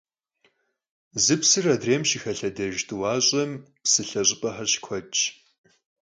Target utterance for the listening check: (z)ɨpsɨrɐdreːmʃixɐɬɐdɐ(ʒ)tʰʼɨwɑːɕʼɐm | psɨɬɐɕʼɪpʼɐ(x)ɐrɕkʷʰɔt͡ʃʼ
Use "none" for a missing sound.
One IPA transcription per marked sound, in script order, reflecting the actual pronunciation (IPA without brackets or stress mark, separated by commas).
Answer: z, ʒ, ħ